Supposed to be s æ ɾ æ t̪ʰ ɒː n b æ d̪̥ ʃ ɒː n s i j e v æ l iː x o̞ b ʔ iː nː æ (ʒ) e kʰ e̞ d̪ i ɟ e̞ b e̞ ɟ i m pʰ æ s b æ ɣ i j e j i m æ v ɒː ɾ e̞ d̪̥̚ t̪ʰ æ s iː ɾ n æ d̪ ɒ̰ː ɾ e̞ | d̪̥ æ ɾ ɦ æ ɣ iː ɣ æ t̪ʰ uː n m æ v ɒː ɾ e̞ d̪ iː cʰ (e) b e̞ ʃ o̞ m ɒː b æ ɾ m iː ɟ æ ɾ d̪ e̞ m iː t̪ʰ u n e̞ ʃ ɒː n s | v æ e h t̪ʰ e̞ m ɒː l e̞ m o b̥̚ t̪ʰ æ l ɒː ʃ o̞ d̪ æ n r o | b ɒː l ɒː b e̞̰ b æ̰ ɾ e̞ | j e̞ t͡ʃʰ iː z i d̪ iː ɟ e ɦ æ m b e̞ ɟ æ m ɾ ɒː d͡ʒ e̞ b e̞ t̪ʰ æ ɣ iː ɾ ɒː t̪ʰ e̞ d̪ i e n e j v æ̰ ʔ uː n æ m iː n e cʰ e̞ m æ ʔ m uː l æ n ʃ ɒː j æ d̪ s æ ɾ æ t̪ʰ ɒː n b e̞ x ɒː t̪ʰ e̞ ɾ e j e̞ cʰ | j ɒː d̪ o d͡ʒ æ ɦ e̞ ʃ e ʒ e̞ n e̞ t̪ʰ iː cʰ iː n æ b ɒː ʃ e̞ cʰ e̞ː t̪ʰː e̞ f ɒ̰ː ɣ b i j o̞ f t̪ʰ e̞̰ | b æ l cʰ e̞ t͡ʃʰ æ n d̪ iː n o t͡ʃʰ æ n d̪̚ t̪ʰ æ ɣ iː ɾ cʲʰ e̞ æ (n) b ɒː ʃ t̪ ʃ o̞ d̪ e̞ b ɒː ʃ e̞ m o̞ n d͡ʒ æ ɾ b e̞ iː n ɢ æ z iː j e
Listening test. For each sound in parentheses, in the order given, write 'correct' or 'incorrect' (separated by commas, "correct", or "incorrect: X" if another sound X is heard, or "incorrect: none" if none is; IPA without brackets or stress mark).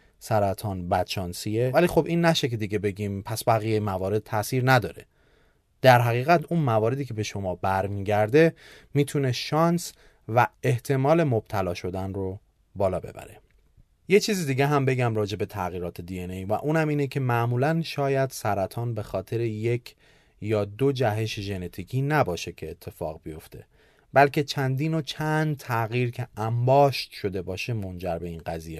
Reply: incorrect: ʃ, correct, incorrect: m